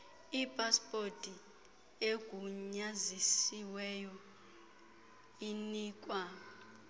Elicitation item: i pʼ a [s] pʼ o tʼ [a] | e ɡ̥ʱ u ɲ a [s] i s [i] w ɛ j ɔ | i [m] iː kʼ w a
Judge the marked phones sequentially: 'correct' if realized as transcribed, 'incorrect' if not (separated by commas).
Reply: correct, incorrect, incorrect, correct, incorrect